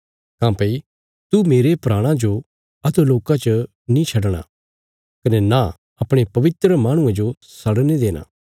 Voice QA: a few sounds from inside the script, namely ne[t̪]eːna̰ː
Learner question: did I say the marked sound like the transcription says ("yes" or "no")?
no